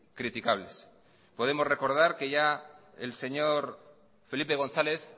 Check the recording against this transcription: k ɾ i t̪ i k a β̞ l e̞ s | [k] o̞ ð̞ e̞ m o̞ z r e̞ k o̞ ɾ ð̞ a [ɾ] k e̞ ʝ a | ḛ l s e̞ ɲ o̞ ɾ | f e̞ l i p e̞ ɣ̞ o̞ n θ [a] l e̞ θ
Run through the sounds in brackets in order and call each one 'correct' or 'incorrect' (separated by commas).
incorrect, correct, correct